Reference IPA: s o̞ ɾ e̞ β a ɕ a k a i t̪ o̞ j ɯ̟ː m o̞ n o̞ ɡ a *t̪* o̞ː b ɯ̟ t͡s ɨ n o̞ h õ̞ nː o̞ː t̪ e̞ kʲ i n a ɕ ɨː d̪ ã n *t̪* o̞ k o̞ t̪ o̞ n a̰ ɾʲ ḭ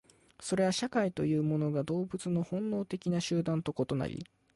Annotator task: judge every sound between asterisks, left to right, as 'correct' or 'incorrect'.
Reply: incorrect: d̪, correct

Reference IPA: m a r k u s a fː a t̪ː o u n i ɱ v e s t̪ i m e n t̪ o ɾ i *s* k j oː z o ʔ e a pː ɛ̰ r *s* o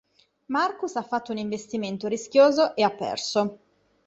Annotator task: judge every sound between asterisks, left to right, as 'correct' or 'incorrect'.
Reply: correct, correct

